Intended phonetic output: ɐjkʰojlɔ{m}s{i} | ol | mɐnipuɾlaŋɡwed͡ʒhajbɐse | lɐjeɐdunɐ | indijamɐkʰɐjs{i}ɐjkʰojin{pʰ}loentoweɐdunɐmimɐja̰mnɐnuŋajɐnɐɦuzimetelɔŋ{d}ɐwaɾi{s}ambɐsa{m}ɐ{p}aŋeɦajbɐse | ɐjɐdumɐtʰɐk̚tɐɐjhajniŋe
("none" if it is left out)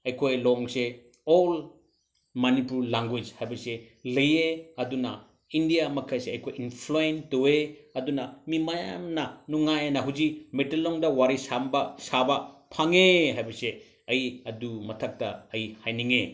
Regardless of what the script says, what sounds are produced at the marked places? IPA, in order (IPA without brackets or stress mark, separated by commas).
ŋ, e, e, pʰ, d, s, b, pʰ